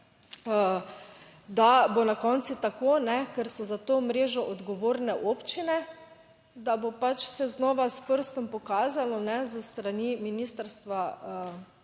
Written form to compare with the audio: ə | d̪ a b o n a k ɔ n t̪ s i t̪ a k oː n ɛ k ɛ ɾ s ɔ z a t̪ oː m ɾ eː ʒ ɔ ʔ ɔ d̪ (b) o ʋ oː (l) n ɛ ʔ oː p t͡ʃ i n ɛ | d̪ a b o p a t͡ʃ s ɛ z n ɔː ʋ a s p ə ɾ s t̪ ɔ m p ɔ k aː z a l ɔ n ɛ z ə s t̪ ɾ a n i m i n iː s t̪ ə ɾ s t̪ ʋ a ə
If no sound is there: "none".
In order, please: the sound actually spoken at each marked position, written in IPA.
ɡ, ɾ

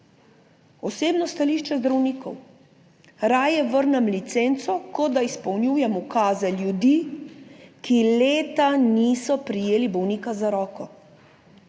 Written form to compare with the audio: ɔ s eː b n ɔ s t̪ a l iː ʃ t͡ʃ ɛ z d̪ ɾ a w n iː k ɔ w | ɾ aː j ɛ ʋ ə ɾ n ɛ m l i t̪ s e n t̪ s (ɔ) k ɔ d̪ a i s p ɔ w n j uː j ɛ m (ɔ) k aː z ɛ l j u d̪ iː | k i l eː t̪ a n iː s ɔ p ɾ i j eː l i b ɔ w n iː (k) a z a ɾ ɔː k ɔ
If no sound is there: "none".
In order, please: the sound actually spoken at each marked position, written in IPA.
ɔ, u, k

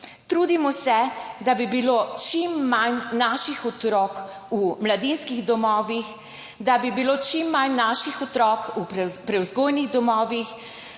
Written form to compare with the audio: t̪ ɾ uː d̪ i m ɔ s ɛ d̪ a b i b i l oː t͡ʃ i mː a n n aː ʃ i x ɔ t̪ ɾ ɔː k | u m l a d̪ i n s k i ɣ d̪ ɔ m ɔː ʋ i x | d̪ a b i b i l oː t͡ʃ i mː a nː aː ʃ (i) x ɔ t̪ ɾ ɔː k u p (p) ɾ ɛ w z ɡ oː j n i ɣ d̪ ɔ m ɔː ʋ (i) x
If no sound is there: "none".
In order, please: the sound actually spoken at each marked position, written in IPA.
i, p, i

